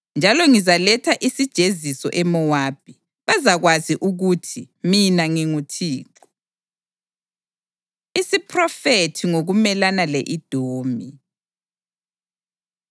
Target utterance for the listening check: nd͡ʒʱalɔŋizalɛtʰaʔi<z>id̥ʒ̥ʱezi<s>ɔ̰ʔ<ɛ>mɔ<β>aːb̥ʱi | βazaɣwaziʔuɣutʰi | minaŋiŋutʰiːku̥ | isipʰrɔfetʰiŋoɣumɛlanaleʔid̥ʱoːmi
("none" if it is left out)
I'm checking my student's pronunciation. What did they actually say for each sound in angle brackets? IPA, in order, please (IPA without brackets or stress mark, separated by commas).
s, s, ɛ, w